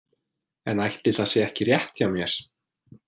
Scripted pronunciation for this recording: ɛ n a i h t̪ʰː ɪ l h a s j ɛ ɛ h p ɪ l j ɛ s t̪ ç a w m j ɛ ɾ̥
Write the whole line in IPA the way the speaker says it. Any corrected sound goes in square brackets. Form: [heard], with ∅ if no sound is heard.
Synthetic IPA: ɛ n a [j] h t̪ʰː ɪ l [θ] a s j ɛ ɛ h [c] ɪ [r] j ɛ [h] t̪ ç a w m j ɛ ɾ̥